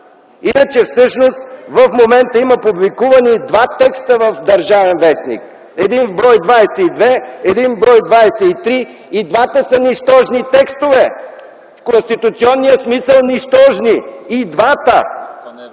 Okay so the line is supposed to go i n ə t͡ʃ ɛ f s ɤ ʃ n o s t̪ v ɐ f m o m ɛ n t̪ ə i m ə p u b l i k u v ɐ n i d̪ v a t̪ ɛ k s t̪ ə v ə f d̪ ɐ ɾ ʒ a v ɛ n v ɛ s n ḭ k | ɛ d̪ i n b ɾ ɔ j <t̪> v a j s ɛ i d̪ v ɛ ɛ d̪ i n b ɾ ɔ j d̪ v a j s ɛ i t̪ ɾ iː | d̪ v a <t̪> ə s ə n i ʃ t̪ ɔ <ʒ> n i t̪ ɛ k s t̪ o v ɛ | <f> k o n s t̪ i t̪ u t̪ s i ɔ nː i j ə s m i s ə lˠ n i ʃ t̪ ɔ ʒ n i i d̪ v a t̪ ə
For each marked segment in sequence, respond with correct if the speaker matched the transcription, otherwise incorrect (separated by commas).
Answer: incorrect, correct, correct, correct